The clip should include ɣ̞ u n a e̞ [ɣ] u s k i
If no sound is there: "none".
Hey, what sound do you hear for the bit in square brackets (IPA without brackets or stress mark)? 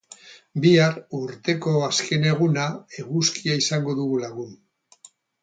ɣ